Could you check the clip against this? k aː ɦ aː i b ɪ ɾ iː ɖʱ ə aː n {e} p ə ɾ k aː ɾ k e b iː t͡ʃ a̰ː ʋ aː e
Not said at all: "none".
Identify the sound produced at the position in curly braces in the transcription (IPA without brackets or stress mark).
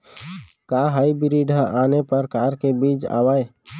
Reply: e